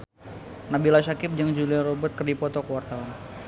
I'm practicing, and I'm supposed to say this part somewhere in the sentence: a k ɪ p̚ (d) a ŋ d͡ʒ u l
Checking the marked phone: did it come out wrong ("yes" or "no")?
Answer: yes